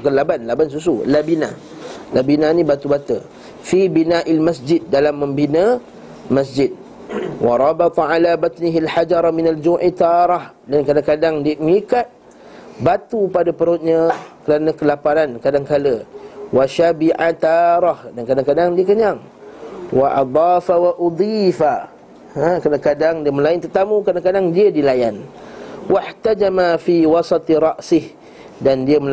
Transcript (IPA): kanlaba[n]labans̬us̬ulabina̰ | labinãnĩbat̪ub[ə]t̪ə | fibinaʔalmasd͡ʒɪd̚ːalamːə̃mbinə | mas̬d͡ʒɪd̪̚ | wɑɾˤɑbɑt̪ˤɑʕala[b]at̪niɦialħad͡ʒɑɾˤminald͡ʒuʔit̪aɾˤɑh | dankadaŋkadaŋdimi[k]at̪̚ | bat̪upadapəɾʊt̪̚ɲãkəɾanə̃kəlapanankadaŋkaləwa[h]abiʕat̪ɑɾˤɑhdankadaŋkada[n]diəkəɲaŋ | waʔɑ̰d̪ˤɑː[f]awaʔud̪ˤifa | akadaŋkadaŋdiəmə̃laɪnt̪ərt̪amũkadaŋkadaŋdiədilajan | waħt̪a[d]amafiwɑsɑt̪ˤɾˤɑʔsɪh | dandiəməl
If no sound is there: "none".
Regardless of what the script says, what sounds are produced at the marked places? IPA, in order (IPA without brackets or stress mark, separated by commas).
n, a, b, k, ʃ, ŋ, f, d͡ʒ